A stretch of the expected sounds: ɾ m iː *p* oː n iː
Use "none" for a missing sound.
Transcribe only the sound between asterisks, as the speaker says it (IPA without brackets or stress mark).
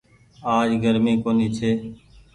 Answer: k